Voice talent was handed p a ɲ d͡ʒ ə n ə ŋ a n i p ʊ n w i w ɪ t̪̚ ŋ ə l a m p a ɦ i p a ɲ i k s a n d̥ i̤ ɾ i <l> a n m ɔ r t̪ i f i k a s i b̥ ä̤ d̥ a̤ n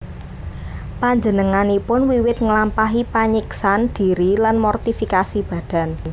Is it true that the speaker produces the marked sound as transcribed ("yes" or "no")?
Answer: yes